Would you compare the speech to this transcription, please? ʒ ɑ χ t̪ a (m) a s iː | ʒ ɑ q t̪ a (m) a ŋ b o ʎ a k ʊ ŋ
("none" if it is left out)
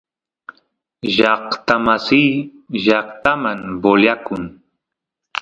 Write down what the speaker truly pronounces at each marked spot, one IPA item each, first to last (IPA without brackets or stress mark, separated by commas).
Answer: m, m